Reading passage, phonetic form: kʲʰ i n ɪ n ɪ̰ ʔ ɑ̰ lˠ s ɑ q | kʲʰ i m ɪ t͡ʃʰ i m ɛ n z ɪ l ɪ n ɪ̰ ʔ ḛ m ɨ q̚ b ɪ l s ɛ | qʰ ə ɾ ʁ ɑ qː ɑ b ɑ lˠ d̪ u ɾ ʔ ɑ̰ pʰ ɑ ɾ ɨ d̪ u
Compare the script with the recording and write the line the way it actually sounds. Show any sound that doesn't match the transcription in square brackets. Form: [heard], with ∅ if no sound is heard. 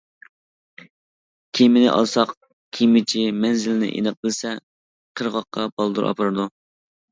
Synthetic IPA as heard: kʲʰ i [m] ɪ n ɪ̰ ʔ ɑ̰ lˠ s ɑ q | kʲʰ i m ɪ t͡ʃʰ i m ɛ n z ɪ l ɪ n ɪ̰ ʔ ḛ [n] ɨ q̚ b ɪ l s ɛ | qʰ ə ɾ ʁ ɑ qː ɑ b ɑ lˠ d̪ u ɾ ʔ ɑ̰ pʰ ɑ ɾ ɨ d̪ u